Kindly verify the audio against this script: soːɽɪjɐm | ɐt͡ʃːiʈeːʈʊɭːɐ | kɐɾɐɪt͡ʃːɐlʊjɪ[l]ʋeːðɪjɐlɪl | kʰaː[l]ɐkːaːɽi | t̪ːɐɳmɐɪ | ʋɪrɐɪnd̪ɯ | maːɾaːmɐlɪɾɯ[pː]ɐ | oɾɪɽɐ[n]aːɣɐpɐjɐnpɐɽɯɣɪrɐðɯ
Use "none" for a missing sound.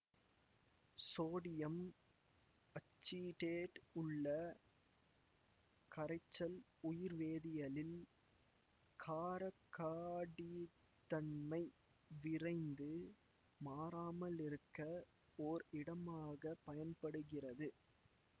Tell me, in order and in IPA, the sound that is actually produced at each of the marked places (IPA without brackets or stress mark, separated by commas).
ɾ, ɾ, kː, m